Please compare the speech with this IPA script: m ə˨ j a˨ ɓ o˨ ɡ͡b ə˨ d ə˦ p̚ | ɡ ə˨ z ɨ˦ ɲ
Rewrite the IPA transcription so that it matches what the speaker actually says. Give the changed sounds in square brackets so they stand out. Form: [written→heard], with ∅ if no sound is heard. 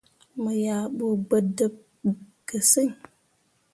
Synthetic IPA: m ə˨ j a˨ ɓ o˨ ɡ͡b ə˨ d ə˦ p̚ | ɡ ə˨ [z→s] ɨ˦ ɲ